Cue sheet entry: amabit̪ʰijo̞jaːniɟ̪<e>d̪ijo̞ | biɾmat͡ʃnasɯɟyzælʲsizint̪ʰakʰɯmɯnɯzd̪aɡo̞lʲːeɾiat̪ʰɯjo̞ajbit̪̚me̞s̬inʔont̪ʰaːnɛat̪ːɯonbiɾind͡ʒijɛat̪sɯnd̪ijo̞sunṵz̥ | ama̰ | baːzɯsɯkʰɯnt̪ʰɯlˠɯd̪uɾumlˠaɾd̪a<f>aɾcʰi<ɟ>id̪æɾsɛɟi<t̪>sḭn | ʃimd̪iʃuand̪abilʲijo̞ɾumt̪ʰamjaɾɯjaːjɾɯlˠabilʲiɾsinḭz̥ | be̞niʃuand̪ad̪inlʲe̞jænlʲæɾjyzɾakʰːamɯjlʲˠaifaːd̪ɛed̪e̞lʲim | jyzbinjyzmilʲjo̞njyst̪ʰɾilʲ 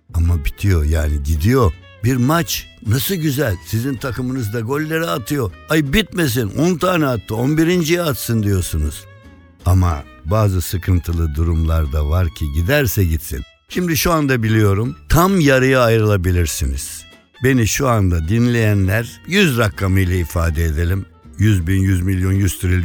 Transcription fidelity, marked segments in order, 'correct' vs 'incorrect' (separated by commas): incorrect, incorrect, correct, correct